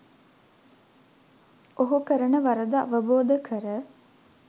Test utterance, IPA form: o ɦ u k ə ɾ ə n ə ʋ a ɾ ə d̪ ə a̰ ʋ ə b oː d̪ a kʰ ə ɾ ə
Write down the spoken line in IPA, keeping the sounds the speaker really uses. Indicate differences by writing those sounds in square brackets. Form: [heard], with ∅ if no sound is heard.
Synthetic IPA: o ɦ u k ə ɾ ə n ə ʋ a ɾ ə d̪ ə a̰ ʋ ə b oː d̪ [ə] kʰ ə ɾ ə